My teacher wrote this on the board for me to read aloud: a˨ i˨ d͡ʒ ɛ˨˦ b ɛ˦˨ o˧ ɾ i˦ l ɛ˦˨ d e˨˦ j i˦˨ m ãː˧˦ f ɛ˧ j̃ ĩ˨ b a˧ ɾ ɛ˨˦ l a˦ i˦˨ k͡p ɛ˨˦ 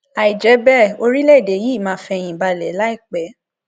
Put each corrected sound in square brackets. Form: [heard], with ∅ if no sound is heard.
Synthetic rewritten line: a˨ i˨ d͡ʒ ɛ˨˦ b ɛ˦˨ o˧ ɾ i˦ l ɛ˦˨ d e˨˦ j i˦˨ m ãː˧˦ f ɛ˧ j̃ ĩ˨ b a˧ [l] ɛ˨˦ l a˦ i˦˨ k͡p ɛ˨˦